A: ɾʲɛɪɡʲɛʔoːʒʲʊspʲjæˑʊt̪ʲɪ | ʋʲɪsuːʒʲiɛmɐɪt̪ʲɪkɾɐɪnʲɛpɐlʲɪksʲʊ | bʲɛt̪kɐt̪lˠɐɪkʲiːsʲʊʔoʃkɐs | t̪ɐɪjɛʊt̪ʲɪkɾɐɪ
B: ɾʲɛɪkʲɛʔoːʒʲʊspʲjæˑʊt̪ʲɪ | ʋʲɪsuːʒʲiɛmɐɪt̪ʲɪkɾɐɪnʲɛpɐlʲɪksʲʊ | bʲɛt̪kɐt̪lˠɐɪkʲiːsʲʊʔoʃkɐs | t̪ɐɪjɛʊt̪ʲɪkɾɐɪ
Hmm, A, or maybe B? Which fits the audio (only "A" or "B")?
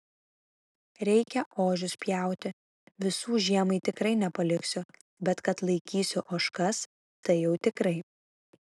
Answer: B